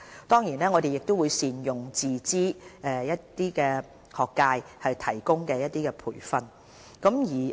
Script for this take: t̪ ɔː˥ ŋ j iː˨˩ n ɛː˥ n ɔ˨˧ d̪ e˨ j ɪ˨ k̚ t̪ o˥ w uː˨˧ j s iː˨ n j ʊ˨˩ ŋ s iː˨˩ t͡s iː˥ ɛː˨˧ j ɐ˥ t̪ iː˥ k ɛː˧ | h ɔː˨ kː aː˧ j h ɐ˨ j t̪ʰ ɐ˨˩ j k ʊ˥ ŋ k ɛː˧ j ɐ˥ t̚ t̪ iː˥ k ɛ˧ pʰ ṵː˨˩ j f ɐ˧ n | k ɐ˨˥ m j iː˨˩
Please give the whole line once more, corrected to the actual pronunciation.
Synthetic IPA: t̪ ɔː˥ ŋ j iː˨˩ n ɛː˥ ŋ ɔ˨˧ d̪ e˨ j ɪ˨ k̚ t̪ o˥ w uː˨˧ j s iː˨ n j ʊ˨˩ ŋ t͡s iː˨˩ t͡s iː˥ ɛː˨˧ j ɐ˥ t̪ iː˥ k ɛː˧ | h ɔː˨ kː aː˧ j h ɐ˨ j t̪ʰ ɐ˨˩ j k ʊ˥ ŋ k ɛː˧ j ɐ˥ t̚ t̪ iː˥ k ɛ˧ pʰ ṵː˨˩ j f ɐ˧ n | k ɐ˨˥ m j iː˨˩